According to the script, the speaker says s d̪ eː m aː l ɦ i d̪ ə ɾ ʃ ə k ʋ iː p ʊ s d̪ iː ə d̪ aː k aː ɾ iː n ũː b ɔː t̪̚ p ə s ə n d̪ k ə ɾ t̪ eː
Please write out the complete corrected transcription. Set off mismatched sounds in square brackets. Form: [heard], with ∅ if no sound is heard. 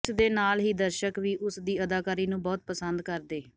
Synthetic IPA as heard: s d̪ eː [n] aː l ɦ [iː] d̪ ə ɾ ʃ ə k ʋ iː [ʔ] ʊ s d̪ iː ə d̪ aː k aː ɾ iː n ũː b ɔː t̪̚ p ə s ə n d̪ k ə ɾ [d̪] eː